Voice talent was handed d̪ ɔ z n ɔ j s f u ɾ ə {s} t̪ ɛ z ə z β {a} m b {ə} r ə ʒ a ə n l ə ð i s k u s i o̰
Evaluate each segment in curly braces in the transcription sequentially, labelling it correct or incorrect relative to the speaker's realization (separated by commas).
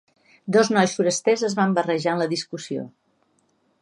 correct, correct, correct